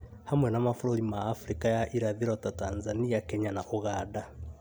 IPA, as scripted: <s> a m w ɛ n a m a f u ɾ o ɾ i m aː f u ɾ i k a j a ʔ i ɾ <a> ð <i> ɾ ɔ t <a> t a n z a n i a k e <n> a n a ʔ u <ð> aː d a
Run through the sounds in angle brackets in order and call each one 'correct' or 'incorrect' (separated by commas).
incorrect, correct, correct, correct, incorrect, incorrect